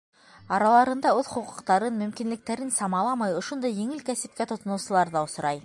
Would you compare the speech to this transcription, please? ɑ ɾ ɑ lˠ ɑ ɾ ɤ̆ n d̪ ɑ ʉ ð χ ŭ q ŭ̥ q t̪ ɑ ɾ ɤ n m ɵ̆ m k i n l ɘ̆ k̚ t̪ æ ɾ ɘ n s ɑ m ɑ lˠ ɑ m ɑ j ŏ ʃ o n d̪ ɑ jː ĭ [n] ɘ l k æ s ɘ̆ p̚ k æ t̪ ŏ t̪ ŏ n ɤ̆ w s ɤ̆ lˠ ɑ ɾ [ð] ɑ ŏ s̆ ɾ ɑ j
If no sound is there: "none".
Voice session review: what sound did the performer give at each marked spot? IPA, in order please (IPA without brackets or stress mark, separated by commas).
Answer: ŋ, ð